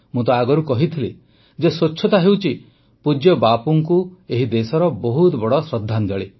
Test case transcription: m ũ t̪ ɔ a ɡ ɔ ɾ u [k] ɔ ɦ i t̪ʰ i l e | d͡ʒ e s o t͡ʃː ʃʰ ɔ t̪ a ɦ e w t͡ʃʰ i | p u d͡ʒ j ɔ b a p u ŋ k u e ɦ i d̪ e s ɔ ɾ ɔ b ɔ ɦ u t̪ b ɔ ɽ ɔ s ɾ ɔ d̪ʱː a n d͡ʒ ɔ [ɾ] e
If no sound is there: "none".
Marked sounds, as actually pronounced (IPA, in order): k, ɭ

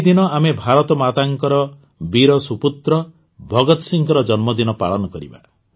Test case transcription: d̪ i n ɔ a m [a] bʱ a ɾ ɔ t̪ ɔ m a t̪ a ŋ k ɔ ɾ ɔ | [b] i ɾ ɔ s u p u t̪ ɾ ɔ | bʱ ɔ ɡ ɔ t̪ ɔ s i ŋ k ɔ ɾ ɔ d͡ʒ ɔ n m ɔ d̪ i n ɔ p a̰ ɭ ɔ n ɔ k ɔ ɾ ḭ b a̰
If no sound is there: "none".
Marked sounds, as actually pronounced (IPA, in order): e, b

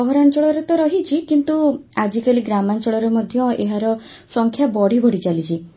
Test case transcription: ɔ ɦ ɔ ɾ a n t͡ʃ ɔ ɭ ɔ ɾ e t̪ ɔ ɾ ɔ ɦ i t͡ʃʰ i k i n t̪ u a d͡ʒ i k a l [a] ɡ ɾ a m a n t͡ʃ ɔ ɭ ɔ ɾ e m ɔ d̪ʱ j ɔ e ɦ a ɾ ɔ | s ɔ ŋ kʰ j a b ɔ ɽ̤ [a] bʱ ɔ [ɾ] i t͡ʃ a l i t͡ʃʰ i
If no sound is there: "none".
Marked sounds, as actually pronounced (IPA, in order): i, i, ɽ

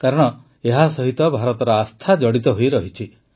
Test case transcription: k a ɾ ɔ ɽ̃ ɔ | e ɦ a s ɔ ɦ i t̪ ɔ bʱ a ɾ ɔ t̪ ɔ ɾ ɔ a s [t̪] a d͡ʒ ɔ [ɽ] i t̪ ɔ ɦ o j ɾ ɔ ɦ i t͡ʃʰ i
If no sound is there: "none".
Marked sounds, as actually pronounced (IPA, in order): t̪ʰ, ɽ

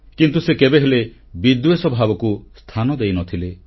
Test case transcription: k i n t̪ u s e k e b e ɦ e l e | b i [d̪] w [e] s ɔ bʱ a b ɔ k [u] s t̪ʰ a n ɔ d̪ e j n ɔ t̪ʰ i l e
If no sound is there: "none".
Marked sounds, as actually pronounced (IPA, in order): d̪, e, u

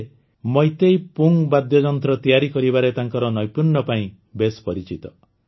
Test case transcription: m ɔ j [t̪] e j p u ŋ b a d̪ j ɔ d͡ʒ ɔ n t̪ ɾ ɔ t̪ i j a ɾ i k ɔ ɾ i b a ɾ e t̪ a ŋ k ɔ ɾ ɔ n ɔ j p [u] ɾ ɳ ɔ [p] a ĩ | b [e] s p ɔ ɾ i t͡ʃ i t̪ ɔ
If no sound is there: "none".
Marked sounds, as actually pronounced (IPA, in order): t̪, u, p, e

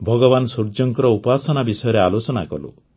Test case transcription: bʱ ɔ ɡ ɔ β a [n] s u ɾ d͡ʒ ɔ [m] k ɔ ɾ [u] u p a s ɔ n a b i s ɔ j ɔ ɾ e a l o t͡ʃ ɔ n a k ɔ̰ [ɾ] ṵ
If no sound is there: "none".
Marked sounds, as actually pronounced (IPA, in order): n, ŋ, ɔ, l

